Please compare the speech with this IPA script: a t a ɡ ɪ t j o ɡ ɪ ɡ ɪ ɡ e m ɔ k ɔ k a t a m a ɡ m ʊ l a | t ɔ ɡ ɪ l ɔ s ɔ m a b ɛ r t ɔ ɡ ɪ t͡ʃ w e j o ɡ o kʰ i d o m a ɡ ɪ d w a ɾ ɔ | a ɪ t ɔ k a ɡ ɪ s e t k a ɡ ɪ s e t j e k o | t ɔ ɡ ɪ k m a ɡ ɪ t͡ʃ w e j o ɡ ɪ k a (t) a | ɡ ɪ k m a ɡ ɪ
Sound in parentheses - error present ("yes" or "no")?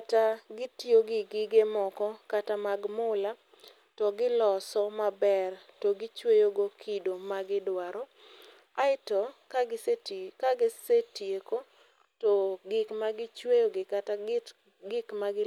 no